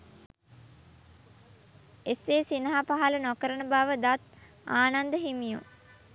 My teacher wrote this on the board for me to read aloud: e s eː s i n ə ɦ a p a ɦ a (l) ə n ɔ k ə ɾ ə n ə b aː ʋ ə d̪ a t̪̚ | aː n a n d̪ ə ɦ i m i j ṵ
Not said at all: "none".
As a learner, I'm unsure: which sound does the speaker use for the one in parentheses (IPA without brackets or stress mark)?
l